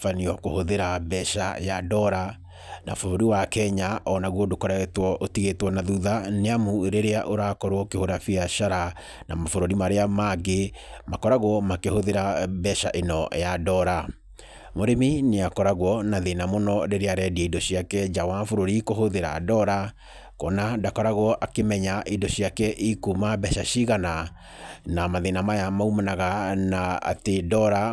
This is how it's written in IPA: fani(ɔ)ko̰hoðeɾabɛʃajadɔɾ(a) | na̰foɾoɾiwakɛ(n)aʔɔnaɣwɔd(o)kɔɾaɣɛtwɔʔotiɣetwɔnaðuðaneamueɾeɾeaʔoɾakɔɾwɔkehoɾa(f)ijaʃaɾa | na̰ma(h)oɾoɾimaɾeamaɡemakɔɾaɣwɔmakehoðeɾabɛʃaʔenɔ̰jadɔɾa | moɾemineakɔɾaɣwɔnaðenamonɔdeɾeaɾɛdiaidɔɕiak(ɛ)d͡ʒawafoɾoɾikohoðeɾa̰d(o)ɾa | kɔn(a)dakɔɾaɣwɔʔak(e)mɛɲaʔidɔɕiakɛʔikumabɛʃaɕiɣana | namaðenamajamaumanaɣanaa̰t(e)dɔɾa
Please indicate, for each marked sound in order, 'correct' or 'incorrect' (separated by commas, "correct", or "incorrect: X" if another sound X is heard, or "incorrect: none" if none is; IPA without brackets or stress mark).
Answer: correct, correct, incorrect: ɲ, correct, correct, incorrect: f, correct, incorrect: ɔ, correct, correct, correct